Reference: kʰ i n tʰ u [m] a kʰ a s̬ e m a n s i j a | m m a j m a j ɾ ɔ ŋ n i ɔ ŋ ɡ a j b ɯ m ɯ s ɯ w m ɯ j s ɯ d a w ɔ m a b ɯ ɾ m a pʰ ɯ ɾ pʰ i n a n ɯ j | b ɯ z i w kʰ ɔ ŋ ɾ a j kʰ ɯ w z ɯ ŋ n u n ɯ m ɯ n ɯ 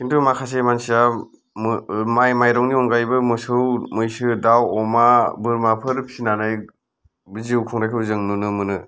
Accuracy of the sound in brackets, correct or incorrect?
correct